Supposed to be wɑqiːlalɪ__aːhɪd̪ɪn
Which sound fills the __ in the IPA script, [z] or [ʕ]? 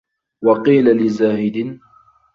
z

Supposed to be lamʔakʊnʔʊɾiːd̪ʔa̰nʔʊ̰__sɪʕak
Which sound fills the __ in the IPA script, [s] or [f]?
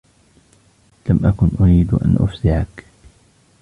f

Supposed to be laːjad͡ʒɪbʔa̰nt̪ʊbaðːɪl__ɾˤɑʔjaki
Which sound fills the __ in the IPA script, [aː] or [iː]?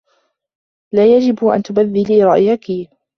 iː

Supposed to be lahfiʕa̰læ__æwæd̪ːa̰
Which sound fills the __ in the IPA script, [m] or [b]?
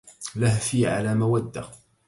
m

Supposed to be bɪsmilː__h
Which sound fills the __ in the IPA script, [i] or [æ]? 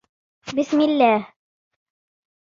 æ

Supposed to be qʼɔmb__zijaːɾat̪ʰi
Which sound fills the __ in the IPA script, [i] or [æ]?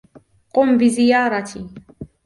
i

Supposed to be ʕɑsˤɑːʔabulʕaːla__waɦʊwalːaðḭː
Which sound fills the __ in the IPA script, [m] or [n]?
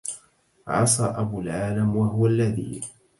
m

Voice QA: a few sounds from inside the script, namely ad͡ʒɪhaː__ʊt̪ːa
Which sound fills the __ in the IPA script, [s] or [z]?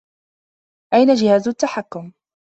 z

